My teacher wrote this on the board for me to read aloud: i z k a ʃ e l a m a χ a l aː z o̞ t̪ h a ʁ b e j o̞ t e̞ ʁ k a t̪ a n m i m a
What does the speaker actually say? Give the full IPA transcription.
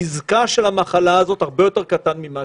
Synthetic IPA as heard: i z k a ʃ e l a m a χ a l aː z o̞ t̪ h a ʁ b e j o̞ t e̞ ʁ k a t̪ a n m i m a